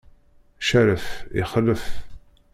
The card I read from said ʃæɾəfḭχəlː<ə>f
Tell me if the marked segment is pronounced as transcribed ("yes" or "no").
yes